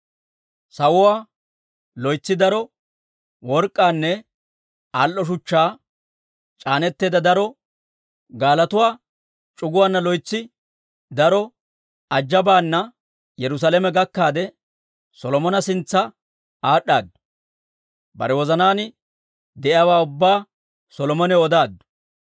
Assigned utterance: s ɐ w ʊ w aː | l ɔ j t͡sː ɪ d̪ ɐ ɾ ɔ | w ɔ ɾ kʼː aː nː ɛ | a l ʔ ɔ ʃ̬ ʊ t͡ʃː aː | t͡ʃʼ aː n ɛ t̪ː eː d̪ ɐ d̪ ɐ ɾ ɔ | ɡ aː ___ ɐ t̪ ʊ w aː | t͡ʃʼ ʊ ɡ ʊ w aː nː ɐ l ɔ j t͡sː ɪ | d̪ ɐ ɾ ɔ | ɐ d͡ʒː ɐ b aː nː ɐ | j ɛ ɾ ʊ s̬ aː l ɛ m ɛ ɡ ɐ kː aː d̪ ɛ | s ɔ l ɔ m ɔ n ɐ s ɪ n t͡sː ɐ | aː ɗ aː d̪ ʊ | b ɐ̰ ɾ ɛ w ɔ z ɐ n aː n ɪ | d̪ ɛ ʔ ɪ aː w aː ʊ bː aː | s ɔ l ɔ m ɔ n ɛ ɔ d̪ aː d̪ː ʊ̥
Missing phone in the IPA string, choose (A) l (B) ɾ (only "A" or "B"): A